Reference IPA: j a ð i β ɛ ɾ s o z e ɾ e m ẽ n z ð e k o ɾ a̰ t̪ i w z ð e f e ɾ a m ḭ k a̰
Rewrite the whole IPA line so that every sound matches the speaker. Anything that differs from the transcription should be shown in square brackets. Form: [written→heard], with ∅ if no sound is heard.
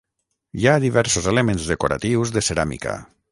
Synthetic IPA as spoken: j a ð i β ɛ ɾ s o z e [ɾ→l] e m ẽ n z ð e k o ɾ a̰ t̪ i w z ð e [f→s] e ɾ a m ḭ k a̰